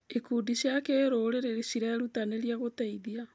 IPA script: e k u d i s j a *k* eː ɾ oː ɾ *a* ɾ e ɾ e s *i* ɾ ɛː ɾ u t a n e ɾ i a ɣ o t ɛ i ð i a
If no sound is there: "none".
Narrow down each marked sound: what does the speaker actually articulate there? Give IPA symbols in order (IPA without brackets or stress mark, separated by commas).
k, e, i